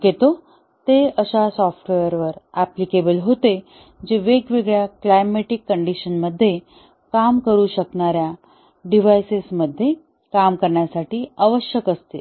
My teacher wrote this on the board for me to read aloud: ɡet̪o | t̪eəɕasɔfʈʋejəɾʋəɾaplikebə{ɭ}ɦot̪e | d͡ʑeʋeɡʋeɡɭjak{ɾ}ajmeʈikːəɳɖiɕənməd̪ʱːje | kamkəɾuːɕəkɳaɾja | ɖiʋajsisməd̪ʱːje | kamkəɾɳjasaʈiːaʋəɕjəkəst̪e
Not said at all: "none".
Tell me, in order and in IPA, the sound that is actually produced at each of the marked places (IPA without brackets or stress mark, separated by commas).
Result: l, l